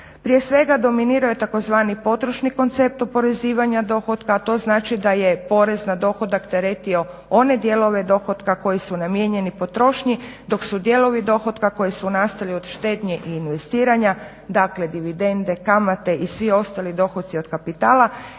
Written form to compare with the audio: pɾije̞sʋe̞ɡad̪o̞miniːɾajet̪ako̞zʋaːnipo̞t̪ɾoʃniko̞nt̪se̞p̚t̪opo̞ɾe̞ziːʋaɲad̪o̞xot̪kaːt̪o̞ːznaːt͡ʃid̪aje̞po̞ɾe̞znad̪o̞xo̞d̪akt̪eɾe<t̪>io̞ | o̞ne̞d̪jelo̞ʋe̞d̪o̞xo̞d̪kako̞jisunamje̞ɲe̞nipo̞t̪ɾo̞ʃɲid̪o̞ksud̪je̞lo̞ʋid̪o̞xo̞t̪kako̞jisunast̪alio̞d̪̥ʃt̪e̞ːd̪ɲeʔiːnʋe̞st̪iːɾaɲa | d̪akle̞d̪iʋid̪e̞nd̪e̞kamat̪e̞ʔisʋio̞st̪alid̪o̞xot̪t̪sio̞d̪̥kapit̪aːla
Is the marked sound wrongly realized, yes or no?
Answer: no